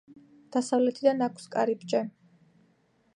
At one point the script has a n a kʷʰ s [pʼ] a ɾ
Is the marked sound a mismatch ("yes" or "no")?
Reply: yes